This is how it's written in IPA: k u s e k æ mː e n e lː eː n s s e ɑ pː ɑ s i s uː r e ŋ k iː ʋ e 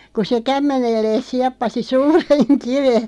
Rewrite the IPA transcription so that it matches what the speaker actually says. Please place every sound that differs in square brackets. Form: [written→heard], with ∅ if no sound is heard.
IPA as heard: k u s e k æ mː e n e lː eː [n→∅] s s [e→i] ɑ pː ɑ s i s uː r e ŋ k [iː→i] ʋ e